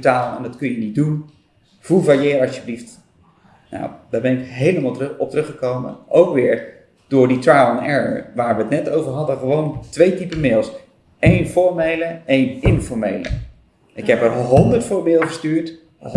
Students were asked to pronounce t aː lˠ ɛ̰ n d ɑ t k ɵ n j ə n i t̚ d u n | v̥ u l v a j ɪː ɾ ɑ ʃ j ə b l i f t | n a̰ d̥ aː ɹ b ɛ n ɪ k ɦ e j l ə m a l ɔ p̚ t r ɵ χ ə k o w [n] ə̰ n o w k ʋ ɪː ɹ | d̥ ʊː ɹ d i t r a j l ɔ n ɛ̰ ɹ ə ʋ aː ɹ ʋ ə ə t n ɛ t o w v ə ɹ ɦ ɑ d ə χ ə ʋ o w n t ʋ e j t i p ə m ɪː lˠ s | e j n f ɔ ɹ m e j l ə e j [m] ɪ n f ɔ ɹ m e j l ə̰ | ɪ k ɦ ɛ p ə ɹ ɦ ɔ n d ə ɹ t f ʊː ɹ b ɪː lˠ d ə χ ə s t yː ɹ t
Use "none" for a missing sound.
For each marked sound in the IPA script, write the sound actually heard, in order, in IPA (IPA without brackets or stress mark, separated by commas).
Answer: m, n